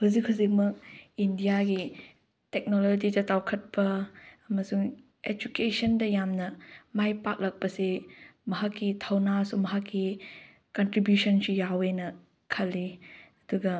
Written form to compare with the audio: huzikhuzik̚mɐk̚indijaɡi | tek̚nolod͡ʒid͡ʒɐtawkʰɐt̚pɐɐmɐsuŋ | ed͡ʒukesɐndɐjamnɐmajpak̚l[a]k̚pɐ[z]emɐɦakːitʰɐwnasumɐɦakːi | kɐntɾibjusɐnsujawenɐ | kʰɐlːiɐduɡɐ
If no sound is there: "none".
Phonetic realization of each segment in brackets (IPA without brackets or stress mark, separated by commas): ɐ, s